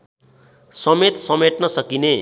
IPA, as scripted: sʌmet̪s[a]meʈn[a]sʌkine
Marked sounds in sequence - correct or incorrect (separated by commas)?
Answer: incorrect, incorrect